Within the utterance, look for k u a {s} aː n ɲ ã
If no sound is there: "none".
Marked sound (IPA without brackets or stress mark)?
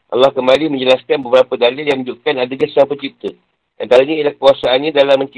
s